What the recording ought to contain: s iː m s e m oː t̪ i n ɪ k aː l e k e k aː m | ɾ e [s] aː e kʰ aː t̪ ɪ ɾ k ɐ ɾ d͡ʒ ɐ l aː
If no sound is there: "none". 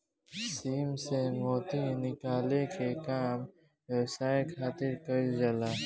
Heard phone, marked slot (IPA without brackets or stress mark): s